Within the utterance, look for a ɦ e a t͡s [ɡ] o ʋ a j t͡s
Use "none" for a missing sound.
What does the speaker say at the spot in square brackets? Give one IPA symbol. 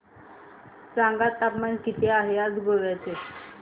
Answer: ɡ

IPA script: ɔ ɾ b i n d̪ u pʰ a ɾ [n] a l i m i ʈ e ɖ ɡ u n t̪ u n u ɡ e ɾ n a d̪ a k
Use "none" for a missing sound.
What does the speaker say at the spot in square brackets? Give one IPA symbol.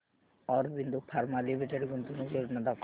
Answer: m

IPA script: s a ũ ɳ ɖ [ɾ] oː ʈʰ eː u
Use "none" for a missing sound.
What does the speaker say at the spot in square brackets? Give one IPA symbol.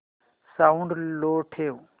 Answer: l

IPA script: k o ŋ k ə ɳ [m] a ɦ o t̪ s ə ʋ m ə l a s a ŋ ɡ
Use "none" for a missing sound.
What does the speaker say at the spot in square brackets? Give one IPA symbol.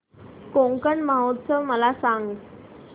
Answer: m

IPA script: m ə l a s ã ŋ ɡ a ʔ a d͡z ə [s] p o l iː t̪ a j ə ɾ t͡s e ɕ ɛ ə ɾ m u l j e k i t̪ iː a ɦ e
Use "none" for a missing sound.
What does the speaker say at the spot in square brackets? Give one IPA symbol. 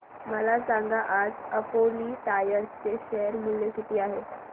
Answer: none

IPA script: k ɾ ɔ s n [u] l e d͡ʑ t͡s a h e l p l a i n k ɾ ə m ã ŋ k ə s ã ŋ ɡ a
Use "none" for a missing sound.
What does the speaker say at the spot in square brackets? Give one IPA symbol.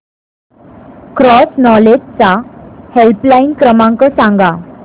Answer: ɔ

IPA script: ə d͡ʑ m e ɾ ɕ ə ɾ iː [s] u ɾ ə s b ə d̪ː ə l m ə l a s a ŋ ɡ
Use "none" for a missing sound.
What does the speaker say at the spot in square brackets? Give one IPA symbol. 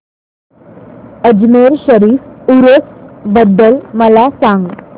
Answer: f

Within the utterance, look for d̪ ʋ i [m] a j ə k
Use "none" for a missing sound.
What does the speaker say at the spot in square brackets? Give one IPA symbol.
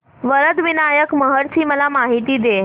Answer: n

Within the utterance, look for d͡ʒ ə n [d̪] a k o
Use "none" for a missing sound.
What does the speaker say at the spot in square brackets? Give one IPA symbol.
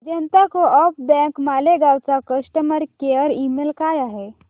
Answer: t̪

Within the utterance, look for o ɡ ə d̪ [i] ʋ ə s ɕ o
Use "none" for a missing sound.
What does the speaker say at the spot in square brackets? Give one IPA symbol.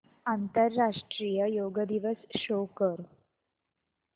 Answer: i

